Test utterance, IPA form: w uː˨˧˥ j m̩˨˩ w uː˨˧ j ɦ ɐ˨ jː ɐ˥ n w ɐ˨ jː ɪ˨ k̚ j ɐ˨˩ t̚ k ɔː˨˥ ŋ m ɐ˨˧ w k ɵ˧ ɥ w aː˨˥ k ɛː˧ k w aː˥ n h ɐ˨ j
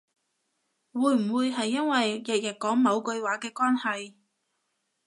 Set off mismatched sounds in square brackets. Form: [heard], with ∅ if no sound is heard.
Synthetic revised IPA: w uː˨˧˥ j m̩˨˩ w uː˨˧ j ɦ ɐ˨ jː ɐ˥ n w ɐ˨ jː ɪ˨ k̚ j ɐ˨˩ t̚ k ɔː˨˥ ŋ m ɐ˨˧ w k ɵ˧ ɥ w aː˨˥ k ɛː˧ k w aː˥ n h ɐ˨ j